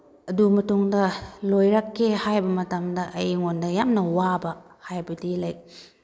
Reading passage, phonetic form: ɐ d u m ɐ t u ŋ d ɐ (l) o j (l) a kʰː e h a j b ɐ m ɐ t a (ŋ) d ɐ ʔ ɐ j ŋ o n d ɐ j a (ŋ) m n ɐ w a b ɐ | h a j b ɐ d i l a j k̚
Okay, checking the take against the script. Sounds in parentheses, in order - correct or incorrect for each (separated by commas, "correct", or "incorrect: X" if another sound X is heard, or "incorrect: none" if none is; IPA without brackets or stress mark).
correct, incorrect: ɾ, incorrect: m, incorrect: none